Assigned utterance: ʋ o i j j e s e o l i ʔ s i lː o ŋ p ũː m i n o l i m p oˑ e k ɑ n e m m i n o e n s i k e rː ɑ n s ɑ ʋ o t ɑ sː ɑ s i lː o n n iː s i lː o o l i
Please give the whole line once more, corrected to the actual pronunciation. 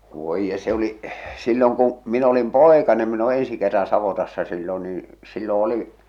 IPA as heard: ʋ o i j j e s e o l i ʔ s i lː o ŋ k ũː m i n o l i m p oˑ e k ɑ n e m m i n o e n s i k e rː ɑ n s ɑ ʋ o t ɑ sː ɑ s i lː o n n iː s i lː o o l i